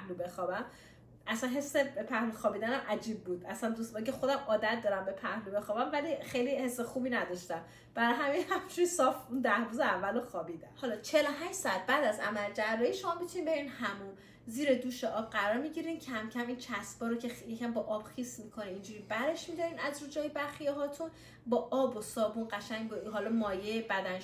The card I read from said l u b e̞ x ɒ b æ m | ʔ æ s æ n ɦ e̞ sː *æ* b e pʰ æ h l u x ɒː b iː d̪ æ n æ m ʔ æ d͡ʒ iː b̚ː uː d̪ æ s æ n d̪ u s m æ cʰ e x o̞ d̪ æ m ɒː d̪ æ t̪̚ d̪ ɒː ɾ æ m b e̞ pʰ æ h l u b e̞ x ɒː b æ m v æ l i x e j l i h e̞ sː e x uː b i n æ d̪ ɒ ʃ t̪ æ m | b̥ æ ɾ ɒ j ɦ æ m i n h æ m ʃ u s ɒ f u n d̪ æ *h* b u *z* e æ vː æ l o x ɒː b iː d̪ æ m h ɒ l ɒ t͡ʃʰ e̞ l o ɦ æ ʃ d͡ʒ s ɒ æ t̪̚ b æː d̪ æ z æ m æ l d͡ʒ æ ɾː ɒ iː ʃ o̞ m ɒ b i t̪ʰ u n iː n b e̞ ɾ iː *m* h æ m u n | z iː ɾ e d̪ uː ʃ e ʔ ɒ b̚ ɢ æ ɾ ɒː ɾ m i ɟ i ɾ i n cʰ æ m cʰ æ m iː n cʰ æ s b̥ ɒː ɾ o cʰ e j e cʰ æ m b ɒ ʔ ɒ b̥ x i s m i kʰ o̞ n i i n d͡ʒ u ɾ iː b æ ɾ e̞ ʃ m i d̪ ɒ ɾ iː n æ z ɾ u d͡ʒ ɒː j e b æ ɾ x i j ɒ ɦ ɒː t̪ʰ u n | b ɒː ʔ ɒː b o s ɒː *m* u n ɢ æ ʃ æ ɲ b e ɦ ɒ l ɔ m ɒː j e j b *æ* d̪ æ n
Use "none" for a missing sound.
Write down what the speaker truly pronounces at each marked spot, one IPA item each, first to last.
e, h, z, n, b, æ

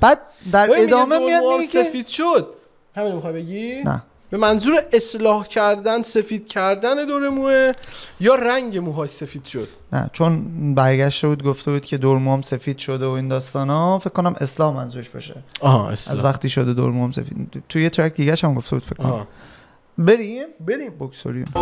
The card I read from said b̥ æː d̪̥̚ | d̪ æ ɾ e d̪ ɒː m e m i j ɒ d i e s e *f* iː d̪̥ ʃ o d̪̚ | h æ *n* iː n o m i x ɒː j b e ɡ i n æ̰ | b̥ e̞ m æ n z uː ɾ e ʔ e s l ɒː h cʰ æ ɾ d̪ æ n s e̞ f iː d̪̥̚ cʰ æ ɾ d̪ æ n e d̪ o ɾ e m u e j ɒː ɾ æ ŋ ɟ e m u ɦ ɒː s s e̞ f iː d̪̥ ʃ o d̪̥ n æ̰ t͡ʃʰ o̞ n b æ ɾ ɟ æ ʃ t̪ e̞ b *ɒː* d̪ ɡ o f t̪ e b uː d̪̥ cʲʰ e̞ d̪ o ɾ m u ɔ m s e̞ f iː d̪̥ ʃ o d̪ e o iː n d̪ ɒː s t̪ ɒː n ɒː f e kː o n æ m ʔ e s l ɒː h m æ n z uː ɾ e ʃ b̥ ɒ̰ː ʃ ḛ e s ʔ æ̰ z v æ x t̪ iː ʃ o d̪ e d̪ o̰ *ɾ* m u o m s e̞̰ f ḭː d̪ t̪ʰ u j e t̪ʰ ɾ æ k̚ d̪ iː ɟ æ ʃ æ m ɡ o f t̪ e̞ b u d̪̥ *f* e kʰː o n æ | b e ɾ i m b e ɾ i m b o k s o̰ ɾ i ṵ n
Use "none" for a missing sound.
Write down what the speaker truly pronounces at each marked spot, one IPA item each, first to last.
f, m, uː, ɾ, f

